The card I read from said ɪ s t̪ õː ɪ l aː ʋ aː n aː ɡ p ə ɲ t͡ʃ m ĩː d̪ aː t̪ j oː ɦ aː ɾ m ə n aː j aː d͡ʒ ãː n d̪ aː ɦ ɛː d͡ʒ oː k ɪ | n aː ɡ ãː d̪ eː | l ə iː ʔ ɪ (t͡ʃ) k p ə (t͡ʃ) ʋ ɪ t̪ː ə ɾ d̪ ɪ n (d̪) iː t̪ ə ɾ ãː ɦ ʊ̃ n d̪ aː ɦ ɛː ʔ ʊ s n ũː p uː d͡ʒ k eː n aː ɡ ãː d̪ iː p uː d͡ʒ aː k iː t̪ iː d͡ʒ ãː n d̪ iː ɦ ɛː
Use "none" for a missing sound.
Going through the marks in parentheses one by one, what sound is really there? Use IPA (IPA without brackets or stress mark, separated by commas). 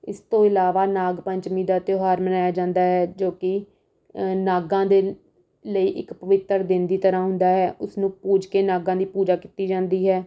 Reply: none, none, d̪